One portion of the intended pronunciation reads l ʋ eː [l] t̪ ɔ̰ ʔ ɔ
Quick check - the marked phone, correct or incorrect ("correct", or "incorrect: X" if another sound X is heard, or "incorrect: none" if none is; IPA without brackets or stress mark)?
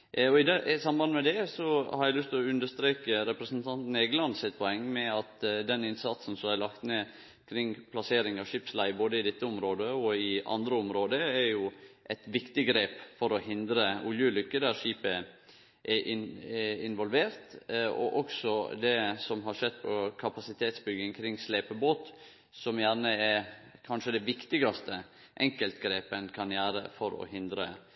incorrect: ɾ